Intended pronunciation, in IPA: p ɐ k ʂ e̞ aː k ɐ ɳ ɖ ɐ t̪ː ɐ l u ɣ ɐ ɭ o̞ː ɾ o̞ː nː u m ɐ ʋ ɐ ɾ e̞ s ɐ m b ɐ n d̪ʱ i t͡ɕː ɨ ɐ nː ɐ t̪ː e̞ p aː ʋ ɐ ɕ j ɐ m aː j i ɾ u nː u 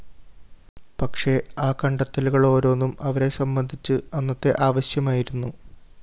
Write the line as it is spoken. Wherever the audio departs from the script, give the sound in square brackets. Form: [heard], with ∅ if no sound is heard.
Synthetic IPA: p ɐ k ʂ e̞ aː k ɐ ɳ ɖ ɐ t̪ː ɐ l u ɣ ɐ ɭ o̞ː ɾ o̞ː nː u m ɐ ʋ ɐ ɾ e̞ s ɐ m b ɐ n d̪ʱ i t͡ɕː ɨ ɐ nː ɐ t̪ː e̞ [ʔ] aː ʋ ɐ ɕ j ɐ m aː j i ɾ u nː u